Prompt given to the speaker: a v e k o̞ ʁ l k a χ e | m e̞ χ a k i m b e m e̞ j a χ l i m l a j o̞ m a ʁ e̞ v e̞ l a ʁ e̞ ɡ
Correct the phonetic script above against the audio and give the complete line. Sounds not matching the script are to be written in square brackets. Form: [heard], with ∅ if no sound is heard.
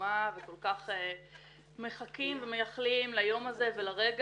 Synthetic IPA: a v e k o̞ [∅] l k a χ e | m e̞ χ a k i m [v] e m e̞ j a χ l i m l a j o̞ m a [z] e̞ v e̞ l a ʁ e̞ ɡ